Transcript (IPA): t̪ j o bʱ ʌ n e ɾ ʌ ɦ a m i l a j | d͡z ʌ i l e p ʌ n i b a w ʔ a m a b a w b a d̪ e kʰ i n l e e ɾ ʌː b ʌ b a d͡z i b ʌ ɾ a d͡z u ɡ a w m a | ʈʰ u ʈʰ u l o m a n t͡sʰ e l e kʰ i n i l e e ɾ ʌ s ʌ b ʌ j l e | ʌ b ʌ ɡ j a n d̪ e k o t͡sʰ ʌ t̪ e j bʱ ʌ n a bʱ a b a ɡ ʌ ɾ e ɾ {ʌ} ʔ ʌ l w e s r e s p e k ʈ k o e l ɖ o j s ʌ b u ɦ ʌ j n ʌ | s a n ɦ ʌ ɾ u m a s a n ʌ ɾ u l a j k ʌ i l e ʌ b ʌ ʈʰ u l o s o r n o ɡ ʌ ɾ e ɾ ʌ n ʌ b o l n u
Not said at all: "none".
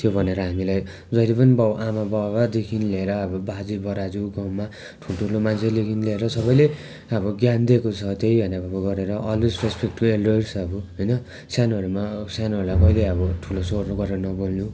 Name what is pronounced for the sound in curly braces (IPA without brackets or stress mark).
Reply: ʌ